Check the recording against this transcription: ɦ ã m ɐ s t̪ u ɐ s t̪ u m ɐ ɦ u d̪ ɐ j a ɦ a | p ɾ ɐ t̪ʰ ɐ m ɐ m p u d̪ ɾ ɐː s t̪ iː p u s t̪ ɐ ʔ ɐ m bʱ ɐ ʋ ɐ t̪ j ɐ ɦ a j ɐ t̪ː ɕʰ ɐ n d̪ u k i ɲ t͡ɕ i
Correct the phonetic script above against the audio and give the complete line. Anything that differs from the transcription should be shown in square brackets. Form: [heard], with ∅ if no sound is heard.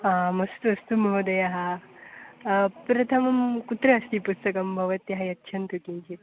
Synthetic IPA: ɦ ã m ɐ s t̪ u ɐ s t̪ u m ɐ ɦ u d̪ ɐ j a ɦ a | p ɾ ɐ t̪ʰ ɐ m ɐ m [k] u [t̪] ɾ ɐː s t̪ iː p u s t̪ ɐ [k] ɐ m bʱ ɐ ʋ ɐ t̪ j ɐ ɦ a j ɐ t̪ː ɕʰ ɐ n [t̪] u k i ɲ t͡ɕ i